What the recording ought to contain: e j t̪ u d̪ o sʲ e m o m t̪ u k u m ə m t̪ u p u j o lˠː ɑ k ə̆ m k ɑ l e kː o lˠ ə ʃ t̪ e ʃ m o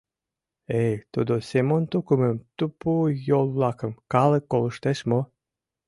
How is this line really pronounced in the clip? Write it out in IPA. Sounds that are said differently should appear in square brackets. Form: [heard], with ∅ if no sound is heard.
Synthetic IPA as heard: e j t̪ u d̪ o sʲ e m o [n] t̪ u k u m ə m t̪ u p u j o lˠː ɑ k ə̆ m k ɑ l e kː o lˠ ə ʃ t̪ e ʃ m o